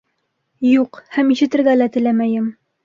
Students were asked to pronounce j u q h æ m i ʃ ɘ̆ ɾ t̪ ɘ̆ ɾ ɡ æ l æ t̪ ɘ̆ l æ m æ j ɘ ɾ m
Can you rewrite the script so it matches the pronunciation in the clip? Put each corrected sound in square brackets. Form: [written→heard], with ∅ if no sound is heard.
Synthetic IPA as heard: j u q h æ m i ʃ ɘ̆ [ɾ→∅] t̪ ɘ̆ ɾ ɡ æ l æ t̪ ɘ̆ l æ m æ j ɘ [ɾ→∅] m